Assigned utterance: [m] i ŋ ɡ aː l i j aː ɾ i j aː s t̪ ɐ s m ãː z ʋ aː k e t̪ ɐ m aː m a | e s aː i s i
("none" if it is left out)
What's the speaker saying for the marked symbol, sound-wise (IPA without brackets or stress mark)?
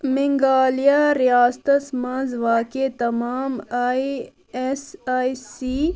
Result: m